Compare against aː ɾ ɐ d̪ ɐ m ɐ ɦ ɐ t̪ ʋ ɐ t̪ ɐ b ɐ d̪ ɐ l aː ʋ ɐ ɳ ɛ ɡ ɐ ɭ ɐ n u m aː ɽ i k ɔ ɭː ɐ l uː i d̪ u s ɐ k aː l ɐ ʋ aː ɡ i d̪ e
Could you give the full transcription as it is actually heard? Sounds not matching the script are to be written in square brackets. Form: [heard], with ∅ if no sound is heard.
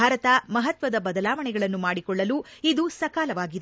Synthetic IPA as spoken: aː ɾ ɐ [t̪] ɐ m ɐ ɦ ɐ t̪ ʋ ɐ [d̪] ɐ b ɐ d̪ ɐ l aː ʋ ɐ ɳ ɛ ɡ ɐ ɭ ɐ [nː] u m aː ɽ i k ɔ ɭː ɐ l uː i d̪ u s ɐ k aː l ɐ ʋ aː ɡ i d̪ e